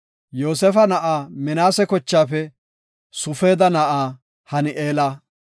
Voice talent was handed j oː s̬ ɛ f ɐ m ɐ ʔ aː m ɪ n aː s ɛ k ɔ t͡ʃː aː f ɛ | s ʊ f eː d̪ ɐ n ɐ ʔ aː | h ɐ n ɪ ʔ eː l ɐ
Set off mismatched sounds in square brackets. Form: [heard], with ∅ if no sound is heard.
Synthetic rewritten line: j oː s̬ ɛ f ɐ [n] ɐ ʔ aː m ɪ n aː s ɛ k ɔ t͡ʃː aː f ɛ | s ʊ f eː d̪ ɐ n ɐ ʔ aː | h ɐ n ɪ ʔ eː l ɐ